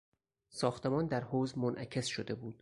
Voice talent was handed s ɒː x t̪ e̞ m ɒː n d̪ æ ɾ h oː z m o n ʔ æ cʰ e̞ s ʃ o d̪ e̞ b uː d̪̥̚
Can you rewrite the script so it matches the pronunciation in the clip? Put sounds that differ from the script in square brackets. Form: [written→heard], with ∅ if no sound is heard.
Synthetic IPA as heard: s ɒː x t̪ e̞ m ɒː n d̪ æ ɾ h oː z m o n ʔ æ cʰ e̞ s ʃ o d̪ e̞ b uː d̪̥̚